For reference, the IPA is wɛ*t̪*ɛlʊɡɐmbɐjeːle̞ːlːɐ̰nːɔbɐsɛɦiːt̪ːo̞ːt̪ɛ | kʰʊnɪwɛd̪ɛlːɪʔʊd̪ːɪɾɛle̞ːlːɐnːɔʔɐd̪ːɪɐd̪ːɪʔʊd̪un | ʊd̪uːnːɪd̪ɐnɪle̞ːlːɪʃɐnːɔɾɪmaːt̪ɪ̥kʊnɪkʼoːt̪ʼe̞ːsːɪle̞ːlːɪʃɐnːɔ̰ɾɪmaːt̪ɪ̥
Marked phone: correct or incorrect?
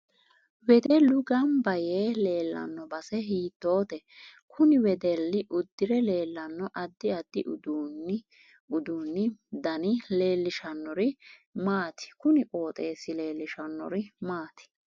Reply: incorrect